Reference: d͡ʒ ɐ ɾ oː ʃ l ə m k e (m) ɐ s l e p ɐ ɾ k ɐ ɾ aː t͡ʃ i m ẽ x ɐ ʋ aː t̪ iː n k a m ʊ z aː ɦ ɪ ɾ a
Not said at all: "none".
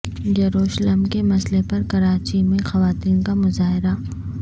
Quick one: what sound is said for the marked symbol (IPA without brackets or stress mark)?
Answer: m